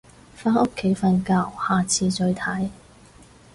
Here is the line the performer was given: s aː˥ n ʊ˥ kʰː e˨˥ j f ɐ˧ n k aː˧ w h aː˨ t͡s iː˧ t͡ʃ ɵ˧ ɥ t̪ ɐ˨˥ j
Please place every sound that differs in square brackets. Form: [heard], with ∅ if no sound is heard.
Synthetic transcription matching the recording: [f] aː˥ n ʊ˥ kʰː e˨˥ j f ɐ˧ n k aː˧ w h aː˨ [t͡sʰ] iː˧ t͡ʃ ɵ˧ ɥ [t̪ʰ] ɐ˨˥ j